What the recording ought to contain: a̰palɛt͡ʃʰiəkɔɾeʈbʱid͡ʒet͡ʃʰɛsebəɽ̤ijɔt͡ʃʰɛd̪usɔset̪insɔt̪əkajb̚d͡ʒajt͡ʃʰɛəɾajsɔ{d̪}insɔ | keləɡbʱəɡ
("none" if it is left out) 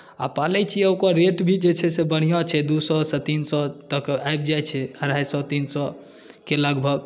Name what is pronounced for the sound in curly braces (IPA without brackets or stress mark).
t̪